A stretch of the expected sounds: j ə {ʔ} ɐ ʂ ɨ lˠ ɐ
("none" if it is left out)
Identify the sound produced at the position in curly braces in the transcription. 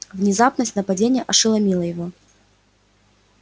ʔ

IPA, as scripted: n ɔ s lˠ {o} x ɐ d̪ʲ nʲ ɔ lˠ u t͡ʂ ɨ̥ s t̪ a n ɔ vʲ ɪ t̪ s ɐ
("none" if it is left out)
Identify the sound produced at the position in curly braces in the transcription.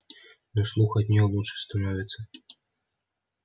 u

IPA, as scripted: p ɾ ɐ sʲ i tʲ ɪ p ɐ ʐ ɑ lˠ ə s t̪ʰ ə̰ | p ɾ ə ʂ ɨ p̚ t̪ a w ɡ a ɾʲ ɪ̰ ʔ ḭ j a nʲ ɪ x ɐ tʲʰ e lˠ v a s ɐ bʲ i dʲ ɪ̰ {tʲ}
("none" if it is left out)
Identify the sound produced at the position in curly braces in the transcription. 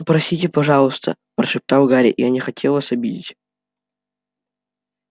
tʲ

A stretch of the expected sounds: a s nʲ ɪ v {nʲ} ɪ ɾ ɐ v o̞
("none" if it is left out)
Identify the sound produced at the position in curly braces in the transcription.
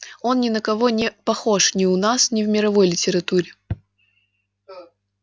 mʲ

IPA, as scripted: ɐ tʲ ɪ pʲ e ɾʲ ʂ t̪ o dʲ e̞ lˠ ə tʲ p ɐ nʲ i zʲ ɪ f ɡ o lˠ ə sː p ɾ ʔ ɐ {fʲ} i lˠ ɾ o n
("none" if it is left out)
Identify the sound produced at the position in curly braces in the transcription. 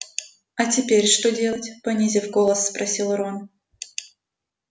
sʲ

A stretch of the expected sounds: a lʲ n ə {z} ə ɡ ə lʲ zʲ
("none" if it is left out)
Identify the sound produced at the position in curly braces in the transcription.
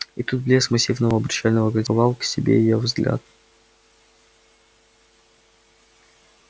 v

